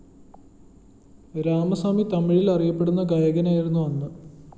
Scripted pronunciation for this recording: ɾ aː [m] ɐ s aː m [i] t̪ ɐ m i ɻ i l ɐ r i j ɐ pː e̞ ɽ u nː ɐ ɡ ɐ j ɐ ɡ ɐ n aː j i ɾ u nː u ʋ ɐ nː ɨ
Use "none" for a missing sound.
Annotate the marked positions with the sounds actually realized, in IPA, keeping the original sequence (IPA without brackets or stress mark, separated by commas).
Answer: m, i